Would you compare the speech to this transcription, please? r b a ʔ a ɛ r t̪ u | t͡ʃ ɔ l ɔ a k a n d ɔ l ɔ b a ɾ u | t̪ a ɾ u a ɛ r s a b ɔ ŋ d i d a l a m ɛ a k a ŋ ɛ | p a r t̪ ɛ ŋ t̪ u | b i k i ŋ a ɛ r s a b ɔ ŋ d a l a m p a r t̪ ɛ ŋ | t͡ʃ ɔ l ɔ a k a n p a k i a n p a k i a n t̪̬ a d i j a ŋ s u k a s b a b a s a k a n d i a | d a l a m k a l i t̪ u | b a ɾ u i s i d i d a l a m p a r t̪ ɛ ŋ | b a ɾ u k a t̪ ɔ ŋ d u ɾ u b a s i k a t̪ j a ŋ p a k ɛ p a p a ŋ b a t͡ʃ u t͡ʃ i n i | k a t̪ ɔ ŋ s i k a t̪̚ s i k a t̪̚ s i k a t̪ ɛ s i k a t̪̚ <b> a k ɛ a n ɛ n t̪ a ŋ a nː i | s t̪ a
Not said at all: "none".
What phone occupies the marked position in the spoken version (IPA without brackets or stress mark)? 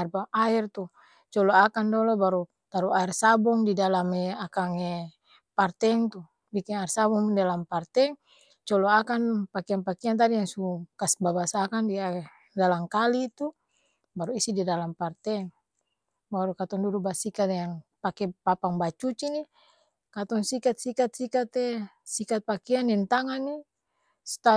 p